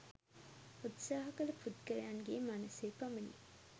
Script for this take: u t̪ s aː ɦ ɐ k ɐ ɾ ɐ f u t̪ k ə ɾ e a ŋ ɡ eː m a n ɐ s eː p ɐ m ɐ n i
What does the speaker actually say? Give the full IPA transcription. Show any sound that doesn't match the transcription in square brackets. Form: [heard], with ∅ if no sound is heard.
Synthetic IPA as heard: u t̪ s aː ɦ ɐ k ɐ [l] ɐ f u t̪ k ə ɾ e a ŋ ɡ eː m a n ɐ s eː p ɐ m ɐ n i

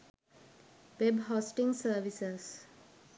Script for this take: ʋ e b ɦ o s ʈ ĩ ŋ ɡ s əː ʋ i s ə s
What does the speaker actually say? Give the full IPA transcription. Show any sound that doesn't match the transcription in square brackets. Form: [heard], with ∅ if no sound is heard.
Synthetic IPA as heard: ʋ e b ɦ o s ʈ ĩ ŋ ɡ s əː ʋ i s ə s

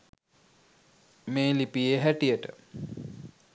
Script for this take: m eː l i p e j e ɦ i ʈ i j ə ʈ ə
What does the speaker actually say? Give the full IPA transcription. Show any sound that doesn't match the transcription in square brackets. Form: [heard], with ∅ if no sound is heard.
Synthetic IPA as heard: m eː l i p [i] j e ɦ [æ] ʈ i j ə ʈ ə

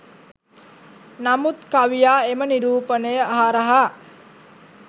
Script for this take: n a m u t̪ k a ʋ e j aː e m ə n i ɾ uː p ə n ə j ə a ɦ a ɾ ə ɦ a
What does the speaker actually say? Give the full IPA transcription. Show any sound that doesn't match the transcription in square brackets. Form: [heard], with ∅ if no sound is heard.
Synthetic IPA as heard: n a m u t̪ k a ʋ [i] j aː e m ə n i ɾ uː p ə n ə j ə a ɦ a ɾ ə ɦ a

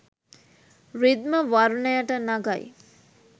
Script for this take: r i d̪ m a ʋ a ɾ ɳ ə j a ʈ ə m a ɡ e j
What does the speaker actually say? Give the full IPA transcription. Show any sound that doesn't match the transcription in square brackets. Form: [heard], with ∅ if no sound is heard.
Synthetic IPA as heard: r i d̪ m [ə] ʋ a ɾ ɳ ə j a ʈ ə [n] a ɡ [a] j

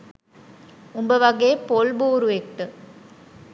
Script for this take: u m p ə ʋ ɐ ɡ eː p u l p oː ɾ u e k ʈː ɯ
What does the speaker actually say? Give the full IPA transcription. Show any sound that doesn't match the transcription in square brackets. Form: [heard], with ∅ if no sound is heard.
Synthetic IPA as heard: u m [b] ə ʋ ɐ ɡ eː p [o] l [b] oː ɾ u e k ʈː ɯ

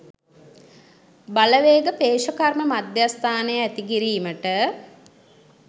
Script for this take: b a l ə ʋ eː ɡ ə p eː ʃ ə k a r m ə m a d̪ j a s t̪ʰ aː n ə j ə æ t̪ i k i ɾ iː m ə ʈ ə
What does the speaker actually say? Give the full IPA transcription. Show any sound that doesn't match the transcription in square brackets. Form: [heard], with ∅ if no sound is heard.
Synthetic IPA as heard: b a l ə ʋ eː ɡ ə p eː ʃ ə k a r m ə m a d̪ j a s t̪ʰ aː n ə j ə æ t̪ i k i ɾ iː m ə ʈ ə

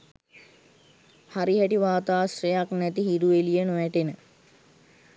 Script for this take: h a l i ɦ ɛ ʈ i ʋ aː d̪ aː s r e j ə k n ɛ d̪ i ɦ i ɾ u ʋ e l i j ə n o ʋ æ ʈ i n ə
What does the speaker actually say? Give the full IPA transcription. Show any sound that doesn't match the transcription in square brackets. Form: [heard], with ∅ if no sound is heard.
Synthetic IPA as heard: h a [ɾ] i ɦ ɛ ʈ i ʋ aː [t̪] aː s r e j [a] k n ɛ [t̪] i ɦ i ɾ u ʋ e l i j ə n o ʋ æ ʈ [e] n ə

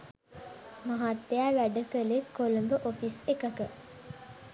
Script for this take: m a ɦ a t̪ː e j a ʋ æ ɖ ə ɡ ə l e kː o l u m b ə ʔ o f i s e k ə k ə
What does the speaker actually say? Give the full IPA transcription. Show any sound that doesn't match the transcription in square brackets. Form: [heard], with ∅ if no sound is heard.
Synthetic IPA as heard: m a ɦ a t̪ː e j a ʋ æ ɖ ə [k] ə l e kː o l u m b ə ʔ o f i s e k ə k ə

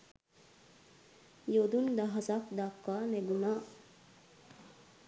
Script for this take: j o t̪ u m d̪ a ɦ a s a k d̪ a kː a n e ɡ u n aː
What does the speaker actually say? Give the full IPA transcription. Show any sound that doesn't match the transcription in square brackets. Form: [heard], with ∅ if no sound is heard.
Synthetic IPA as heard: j o [d̪] u [n] d̪ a ɦ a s a k d̪ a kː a n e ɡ u n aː

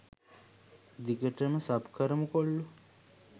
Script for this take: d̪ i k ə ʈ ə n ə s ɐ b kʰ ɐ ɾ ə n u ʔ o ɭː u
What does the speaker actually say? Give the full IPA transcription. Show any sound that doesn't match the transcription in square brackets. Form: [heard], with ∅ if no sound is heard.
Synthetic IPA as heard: d̪ i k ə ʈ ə [m] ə s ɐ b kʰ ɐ ɾ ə [m] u [k] o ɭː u

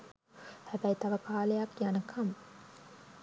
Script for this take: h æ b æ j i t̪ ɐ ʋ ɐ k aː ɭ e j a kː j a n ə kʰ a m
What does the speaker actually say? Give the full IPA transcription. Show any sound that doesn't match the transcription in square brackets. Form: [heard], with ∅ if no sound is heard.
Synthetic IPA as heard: h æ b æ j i t̪ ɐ ʋ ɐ k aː [l] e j a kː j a n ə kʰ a m

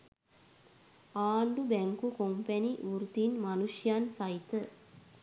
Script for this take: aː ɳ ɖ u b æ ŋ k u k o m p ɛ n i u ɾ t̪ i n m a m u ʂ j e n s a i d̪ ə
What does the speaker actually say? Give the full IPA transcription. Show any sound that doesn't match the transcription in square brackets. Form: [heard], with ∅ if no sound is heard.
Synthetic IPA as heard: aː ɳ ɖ u b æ ŋ k u k o m p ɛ n i u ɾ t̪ i n m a [n] u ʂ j [a] n s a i [t̪] ə

